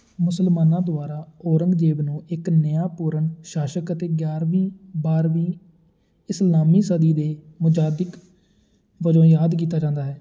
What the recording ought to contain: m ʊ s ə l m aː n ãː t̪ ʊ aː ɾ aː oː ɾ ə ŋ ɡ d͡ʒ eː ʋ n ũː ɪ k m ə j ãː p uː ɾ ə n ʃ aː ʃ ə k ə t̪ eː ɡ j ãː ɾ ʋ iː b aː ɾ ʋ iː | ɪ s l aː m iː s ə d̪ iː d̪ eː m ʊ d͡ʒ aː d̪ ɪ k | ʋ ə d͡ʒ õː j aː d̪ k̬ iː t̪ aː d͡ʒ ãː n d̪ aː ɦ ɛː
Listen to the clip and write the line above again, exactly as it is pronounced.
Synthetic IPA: m ʊ s ə l m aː n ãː d̪ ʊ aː ɾ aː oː ɾ ə ŋ ɡ d͡ʒ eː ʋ n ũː ɪ k n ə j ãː p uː ɾ ə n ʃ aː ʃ ə k ə t̪ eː ɡ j aː ɾ ʋ iː b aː ɾ ʋ iː | ɪ s l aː m iː s ə d̪ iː d̪ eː m ʊ d͡ʒ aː d̪ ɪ k | ʋ ə d͡ʒ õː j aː d̪ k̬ iː t̪ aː d͡ʒ ãː n d̪ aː ɦ ɛː